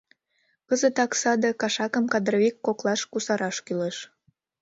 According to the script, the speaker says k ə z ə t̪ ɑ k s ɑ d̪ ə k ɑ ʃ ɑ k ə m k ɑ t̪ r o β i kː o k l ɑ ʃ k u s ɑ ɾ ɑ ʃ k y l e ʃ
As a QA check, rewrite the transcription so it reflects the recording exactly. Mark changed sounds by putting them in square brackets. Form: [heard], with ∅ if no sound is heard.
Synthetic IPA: k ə z ə t̪ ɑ k s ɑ d̪ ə k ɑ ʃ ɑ k ə m k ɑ [d̪] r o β i kː o k l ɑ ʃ k u s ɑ ɾ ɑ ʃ k y l e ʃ